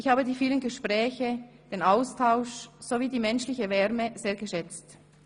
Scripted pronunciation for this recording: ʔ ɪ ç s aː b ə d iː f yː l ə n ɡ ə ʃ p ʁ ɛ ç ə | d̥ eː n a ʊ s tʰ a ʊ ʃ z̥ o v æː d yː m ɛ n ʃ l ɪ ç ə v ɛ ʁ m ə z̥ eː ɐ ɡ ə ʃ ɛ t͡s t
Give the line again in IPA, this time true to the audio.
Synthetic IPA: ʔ ɪ ç h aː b ə d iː f iː l ə n ɡ ə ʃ p ʁ ɛː ç ə | d̥ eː n a ʊ s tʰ a ʊ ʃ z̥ o v iː d iː m ɛ n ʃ l ɪ ç ə v ɛ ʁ m ə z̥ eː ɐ ɡ ə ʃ ɛ t͡s t